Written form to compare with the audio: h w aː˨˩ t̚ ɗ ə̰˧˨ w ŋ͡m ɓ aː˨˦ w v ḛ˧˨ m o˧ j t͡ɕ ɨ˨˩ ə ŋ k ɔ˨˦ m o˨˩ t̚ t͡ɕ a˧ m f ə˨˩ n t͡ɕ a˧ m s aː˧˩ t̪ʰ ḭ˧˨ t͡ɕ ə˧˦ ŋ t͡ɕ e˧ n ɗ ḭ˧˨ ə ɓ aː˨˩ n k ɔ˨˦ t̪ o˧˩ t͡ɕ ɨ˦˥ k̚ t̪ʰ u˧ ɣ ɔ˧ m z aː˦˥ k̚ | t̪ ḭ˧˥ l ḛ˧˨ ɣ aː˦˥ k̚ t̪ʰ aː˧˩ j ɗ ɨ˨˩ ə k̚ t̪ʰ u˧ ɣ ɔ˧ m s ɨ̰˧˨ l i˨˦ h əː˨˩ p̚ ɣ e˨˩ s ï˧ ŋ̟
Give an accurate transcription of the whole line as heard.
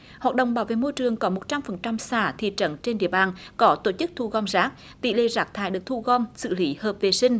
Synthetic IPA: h w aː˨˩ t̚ ɗ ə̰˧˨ w ŋ͡m ɓ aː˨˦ w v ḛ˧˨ m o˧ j t͡ɕ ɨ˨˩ ə ŋ k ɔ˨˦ m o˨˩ t̚ t͡ɕ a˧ m f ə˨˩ n t͡ɕ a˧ m s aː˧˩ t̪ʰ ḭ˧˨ t͡ɕ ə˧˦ n t͡ɕ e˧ n ɗ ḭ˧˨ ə ɓ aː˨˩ n k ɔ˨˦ t̪ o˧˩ t͡ɕ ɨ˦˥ k̚ t̪ʰ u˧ ɣ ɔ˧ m z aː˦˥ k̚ | t̪ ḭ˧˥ l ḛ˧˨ z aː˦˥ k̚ t̪ʰ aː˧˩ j ɗ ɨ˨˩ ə k̚ t̪ʰ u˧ ɣ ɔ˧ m s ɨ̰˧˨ l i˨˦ h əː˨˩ p̚ v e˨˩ s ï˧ ŋ̟